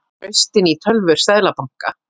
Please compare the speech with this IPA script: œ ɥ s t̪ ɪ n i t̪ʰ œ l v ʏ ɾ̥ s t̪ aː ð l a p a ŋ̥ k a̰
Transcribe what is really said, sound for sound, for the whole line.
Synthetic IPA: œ ɥ s t̪ ɪ n i t̪ʰ œ l v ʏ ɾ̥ s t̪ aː ð l a p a ŋ̥ k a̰